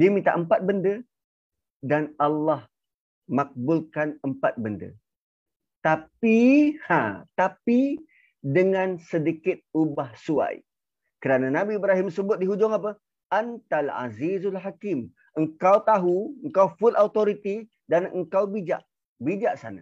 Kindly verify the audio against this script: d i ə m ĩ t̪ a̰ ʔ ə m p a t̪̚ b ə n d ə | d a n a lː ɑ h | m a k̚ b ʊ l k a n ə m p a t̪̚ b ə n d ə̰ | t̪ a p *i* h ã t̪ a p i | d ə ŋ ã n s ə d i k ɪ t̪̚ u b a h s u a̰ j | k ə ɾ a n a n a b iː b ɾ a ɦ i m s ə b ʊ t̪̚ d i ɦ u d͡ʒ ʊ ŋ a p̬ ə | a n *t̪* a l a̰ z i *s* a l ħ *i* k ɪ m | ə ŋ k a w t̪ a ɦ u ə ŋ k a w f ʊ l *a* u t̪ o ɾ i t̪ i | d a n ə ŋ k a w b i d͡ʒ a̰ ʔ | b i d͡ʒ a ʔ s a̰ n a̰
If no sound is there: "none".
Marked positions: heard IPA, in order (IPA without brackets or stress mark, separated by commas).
i, t̪, z, a, a